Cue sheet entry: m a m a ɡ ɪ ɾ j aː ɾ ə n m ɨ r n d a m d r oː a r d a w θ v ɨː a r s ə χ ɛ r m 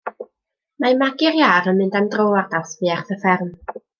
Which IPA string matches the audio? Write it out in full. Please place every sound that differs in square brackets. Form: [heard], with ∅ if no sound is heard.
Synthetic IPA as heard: m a m a ɡ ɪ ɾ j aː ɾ ə n m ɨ [∅] n d a m d r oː a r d a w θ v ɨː a r [θ] ə [f] ɛ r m